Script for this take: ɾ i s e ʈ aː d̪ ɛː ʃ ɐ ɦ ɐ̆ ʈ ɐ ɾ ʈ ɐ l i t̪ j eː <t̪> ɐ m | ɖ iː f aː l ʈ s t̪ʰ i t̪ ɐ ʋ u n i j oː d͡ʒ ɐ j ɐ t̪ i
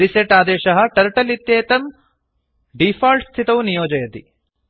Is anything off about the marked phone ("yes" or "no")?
no